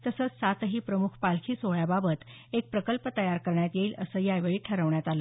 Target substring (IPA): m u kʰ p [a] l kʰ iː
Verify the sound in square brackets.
correct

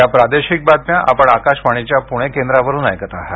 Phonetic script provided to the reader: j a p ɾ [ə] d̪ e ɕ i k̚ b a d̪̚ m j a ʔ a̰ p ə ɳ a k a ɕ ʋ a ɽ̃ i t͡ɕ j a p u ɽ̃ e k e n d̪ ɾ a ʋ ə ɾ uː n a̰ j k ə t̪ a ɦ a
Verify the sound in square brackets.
incorrect: a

